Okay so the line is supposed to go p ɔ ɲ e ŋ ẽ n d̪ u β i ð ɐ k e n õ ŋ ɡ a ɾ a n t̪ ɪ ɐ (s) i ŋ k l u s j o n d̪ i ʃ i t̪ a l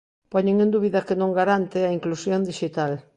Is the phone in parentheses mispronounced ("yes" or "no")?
yes